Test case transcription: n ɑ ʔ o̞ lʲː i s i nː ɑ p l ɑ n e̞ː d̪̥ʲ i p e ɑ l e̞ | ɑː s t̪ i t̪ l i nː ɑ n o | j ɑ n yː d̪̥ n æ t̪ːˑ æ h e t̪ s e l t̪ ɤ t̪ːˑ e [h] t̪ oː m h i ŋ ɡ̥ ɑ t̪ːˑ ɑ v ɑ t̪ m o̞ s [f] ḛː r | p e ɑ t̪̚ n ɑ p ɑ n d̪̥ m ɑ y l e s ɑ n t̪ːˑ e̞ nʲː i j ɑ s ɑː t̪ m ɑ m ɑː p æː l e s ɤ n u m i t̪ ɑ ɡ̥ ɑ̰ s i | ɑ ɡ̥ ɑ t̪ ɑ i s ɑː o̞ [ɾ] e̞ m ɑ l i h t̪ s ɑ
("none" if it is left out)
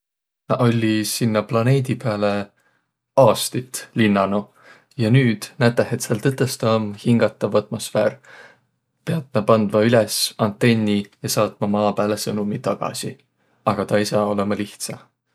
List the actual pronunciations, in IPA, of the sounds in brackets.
s, f, l

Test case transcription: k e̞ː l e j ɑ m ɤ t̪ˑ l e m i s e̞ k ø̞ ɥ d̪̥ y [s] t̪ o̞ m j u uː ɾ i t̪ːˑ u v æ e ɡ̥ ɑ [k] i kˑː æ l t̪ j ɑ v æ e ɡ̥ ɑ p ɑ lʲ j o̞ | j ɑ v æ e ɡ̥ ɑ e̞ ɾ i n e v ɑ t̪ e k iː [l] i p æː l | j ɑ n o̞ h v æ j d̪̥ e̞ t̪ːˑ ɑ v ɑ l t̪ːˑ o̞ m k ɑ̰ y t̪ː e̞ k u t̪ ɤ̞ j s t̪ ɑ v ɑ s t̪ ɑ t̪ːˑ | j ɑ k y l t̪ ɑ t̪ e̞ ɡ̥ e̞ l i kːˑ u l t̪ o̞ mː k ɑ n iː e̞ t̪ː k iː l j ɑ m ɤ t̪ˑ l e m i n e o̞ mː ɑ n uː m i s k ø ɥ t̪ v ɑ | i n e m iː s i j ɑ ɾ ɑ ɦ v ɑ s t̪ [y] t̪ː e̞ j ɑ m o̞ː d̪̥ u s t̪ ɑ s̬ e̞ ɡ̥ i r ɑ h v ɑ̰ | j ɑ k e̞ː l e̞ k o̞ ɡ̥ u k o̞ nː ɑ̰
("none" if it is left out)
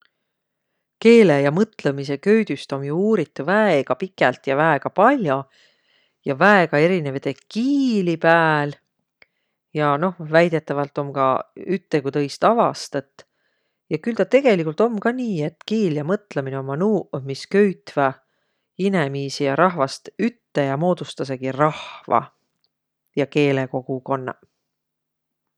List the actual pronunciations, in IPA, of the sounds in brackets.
s, p, l, y

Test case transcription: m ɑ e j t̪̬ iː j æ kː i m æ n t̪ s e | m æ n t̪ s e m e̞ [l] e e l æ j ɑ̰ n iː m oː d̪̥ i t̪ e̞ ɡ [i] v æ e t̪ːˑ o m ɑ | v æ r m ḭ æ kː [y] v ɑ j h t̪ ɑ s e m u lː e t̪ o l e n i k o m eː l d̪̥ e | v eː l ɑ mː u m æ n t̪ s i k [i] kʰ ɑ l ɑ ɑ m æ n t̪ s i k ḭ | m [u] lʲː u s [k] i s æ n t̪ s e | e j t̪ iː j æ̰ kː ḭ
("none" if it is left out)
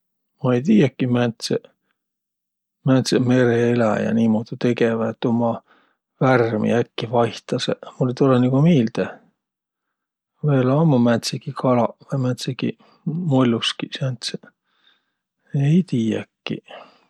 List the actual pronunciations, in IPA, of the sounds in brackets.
ɾ, e, i, i, o, k

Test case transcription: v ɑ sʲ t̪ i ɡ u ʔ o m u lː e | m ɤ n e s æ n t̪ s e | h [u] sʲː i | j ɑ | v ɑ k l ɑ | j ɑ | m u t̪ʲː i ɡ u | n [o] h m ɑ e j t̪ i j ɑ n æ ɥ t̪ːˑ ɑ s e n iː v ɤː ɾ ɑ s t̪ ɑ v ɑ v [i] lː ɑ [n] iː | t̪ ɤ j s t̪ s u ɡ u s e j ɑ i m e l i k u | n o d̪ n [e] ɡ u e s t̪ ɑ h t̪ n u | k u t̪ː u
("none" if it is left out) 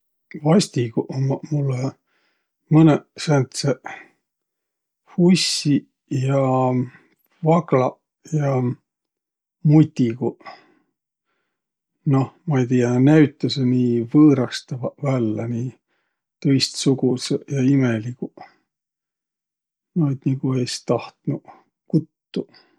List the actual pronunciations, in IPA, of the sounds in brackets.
u, o, æ, n, i

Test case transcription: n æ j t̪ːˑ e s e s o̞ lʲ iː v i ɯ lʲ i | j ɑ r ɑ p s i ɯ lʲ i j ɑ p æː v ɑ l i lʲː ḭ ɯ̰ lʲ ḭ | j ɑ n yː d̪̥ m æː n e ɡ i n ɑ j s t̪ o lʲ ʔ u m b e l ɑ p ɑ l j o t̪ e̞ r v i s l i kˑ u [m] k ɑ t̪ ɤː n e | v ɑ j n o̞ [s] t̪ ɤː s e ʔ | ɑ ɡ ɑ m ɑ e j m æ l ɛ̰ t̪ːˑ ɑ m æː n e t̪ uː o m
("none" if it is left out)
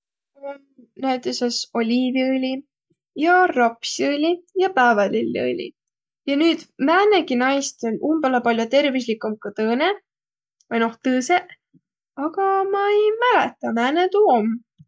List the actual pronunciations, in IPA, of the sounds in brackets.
m, h

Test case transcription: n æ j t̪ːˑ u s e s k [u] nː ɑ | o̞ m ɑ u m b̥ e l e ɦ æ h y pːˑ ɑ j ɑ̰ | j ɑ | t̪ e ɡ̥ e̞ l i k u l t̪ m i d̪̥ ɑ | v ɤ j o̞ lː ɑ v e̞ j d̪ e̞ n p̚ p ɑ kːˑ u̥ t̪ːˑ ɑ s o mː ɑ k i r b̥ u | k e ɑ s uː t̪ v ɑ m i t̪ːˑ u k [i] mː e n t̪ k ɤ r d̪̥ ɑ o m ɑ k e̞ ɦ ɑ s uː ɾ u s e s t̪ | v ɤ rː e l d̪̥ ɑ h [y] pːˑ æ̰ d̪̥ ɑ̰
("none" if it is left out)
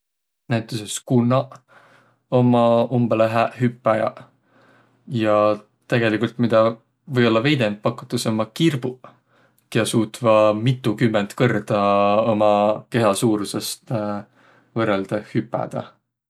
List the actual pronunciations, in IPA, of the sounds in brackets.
u, y, y

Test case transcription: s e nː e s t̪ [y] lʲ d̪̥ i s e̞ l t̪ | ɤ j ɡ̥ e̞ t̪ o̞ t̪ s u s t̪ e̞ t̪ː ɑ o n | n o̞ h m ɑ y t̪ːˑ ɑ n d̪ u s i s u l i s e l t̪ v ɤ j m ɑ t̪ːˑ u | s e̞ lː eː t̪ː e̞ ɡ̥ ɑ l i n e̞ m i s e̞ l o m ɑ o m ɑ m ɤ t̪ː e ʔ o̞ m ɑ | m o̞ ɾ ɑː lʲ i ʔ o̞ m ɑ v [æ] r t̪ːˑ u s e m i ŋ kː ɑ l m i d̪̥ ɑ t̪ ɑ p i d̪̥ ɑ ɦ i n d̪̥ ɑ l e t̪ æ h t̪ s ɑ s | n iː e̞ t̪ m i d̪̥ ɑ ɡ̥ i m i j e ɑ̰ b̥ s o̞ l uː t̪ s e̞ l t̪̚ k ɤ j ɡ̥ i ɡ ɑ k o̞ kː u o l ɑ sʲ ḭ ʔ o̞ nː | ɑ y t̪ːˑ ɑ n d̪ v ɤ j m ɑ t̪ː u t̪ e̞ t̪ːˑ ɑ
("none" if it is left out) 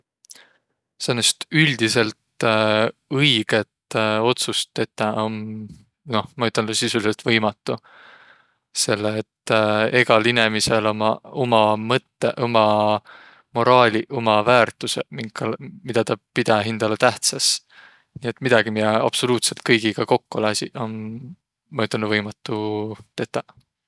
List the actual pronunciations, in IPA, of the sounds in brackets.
y, æː

